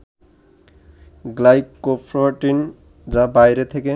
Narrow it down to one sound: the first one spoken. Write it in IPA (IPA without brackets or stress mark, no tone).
ɡ